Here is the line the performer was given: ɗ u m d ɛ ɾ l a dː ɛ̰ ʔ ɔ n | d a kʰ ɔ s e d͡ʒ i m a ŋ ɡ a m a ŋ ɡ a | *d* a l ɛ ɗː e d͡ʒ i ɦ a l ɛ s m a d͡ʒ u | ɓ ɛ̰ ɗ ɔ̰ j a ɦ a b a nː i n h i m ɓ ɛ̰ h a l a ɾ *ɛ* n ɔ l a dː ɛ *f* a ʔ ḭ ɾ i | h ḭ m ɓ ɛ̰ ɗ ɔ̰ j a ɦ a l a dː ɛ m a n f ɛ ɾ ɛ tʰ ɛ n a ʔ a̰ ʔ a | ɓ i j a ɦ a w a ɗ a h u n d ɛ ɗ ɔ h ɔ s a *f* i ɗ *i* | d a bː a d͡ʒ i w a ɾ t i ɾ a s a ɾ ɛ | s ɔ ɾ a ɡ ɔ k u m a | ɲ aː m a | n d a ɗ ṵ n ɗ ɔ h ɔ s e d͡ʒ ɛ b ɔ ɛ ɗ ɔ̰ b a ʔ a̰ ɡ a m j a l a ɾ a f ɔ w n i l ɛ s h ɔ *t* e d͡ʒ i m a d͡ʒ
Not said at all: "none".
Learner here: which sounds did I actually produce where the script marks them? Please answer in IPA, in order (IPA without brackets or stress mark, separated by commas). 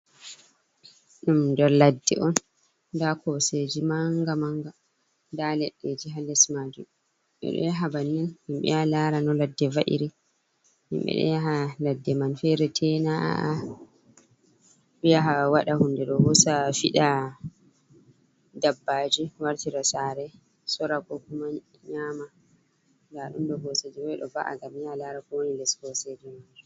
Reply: d, a, v, f, a, s